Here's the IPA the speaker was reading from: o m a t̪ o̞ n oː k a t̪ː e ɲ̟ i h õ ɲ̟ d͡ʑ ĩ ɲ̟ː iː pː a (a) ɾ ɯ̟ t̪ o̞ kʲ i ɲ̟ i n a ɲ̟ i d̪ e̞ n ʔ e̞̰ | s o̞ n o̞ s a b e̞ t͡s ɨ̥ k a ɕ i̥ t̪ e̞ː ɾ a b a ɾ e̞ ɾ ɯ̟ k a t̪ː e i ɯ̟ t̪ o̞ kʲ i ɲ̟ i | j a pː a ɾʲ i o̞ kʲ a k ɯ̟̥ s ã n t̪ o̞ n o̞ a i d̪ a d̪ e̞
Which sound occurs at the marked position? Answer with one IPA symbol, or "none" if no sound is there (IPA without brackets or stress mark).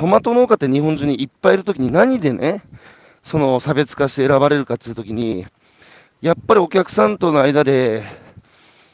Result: i